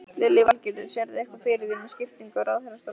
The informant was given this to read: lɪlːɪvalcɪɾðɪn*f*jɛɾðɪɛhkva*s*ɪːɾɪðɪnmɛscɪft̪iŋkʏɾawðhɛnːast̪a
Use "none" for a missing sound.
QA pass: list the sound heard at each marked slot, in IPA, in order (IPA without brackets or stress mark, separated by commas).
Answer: s, f